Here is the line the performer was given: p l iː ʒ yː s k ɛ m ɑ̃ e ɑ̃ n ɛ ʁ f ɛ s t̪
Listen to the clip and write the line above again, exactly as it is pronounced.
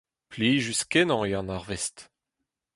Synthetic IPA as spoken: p l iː ʒ y s k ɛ n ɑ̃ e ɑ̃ n a ʁ v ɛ s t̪

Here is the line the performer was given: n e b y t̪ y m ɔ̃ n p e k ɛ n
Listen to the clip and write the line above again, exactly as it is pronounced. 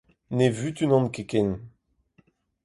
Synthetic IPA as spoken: n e v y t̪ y n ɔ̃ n k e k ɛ n

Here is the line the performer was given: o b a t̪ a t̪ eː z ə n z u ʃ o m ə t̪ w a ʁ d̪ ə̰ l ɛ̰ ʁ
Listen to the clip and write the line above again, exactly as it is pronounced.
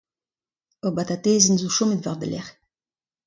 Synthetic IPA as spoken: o b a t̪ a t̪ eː z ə n z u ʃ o m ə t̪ v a ʁ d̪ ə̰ l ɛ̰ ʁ

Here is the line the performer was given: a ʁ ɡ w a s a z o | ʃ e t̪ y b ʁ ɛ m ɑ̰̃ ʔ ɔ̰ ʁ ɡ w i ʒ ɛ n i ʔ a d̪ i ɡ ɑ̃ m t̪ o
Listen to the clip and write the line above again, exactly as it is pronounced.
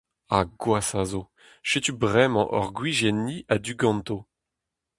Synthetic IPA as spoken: a ɡ w a s a z o | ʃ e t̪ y b ʁ ɛ m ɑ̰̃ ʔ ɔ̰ ʁ ɡ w i ʒ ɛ n i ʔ a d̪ y ɡ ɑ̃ n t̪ o

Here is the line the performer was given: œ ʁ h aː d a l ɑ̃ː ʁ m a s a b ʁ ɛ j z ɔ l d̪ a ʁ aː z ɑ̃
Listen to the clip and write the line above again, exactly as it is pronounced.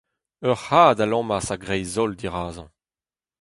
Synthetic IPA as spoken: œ ʁ h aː d a l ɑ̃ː m a s a ɡ ʁ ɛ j z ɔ l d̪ i ʁ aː z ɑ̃

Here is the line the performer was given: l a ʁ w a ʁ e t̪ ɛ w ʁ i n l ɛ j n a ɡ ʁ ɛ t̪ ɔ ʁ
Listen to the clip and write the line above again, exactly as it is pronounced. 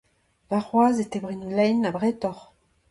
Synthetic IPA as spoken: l a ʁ w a z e t̪ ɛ b ʁ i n l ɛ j n a b ʁ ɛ t̪ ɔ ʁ

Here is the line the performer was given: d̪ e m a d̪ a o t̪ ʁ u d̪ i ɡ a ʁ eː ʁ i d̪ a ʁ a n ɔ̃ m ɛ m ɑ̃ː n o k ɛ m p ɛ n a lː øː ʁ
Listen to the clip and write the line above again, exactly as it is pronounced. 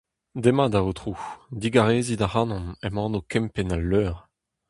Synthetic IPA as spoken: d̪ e m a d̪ a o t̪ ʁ u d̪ i ɡ a ʁ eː z i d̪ a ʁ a n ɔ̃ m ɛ m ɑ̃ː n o k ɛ m p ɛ n a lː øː ʁ

